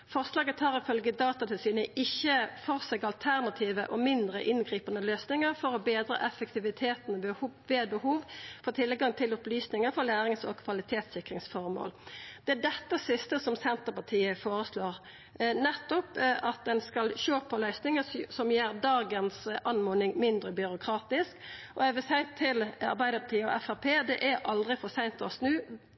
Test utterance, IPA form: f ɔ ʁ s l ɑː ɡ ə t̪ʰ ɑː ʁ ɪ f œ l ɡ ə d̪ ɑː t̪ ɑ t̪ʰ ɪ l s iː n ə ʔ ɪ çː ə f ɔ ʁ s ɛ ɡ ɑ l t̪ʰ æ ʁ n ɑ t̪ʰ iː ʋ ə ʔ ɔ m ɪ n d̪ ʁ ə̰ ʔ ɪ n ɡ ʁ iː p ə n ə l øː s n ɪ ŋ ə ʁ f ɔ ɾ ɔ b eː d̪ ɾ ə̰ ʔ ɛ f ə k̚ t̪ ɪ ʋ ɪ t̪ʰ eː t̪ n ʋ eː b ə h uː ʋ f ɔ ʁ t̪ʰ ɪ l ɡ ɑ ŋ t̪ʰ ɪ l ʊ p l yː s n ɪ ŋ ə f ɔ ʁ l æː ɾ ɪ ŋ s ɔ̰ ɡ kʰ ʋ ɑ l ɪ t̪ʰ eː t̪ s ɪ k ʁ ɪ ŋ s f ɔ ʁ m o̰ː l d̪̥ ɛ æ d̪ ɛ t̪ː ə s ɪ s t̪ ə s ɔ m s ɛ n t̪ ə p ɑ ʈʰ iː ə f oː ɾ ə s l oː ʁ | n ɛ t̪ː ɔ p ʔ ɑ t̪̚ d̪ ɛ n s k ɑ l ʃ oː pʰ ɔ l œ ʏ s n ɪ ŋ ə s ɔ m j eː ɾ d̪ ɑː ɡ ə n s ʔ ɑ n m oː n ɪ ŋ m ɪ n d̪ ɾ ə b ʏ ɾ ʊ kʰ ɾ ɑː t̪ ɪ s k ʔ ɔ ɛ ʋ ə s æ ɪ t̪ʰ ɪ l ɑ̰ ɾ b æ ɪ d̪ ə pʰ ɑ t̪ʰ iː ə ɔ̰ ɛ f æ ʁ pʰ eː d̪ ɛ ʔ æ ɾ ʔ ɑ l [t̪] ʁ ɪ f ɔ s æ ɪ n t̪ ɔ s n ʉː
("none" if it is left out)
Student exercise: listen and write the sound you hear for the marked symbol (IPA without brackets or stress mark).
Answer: d̪